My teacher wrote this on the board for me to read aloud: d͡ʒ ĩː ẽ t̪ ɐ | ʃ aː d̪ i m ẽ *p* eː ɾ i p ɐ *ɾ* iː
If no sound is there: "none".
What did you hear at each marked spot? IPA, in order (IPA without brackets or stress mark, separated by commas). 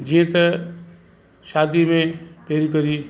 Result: p, ɾ